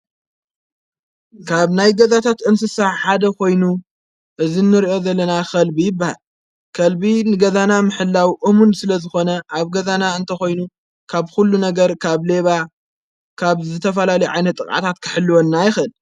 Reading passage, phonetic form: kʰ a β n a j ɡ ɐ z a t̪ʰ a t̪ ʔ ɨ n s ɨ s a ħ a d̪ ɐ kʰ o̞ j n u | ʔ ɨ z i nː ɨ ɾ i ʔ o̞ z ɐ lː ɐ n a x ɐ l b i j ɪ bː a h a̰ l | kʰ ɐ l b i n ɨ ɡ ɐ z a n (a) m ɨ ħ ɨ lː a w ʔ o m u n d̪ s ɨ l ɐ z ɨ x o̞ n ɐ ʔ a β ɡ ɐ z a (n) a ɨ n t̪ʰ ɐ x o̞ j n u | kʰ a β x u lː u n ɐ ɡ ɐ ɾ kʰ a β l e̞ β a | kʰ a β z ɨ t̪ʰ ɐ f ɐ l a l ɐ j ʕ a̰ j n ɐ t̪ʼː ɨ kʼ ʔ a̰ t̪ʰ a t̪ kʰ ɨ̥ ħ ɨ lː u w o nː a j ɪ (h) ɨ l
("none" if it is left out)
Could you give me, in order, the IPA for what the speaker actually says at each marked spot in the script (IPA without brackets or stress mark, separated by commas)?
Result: a, n, x